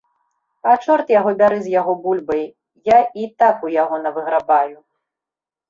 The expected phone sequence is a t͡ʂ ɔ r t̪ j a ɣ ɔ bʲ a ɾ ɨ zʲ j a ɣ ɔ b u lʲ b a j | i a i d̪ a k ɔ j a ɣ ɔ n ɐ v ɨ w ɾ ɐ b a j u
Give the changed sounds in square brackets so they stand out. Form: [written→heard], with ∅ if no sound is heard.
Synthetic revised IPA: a t͡ʂ ɔ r t̪ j a ɣ ɔ bʲ a ɾ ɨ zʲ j a ɣ ɔ b u lʲ b [a→ɐ] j | [i→j] a i [d̪→t̪] a k [ɔ→u] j a ɣ ɔ n ɐ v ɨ [w→ɣ] ɾ [ɐ→a] b a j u